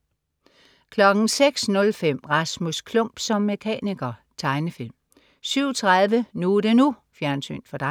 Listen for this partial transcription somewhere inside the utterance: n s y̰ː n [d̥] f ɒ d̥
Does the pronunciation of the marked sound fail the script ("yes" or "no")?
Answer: no